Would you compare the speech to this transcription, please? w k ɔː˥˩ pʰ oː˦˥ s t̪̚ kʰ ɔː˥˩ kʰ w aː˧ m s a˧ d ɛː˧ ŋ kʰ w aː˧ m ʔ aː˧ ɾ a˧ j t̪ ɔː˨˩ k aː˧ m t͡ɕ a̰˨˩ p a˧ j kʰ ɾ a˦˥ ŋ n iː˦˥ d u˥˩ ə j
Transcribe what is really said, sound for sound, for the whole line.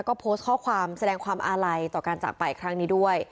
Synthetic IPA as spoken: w k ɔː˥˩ pʰ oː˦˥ s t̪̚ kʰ ɔː˥˩ kʰ w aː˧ m s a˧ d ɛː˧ ŋ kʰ w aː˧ m ʔ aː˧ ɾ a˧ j t̪ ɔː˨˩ k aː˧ n t͡ɕ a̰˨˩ p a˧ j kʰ ɾ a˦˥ ŋ n iː˦˥ d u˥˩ ə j

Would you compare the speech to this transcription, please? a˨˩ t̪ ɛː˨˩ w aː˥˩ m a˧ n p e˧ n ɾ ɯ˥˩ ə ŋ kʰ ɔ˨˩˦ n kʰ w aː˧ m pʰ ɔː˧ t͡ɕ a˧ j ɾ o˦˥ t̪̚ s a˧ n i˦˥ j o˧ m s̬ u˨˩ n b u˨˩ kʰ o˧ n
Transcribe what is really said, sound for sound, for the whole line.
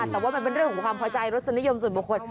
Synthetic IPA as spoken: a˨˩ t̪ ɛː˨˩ w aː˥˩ m a˧ n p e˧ n ɾ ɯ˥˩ ə ŋ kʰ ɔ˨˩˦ ŋ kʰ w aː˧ m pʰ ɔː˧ t͡ɕ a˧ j ɾ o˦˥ t̪̚ s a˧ n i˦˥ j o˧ m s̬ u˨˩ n b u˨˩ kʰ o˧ n

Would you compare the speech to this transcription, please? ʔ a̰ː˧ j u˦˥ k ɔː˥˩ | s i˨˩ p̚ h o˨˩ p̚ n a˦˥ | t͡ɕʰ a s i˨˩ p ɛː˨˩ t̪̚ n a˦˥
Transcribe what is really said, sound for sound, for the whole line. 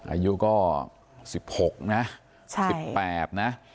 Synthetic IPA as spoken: ʔ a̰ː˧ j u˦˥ k ɔː˥˩ | s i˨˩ p̚ h o˨˩ k̚ n a˦˥ | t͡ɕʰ a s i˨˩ p ɛː˨˩ t̪̚ n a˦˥

